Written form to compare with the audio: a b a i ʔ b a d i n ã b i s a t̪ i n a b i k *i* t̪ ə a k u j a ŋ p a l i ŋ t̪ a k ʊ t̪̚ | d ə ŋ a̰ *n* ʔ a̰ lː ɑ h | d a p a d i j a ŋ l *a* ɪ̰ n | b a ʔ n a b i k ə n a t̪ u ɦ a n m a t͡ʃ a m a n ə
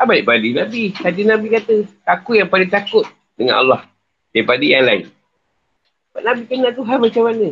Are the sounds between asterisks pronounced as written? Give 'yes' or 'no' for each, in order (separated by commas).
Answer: no, yes, yes